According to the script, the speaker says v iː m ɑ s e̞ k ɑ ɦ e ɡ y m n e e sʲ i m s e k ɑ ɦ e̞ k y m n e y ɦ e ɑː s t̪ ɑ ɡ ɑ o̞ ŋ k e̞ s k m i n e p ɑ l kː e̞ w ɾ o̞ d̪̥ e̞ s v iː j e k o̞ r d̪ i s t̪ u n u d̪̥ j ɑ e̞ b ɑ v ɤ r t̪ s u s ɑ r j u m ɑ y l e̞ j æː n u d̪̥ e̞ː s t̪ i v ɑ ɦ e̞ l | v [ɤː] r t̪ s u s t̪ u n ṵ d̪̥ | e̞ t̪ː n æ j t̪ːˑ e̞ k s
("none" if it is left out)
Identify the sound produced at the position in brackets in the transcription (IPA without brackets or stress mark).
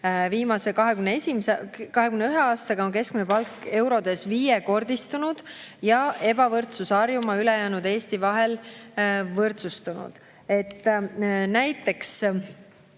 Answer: ɤ